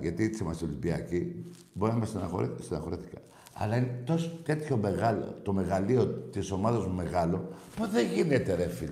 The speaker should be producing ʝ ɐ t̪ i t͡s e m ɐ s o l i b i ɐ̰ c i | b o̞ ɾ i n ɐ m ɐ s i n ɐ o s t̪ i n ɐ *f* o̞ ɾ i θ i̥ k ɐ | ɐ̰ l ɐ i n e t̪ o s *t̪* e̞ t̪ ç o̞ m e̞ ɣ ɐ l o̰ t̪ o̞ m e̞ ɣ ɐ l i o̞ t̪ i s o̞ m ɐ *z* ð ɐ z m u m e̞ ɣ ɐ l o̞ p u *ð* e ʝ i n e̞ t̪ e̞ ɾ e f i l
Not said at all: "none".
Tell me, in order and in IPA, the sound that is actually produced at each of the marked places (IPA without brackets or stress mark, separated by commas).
x, t̪, none, ð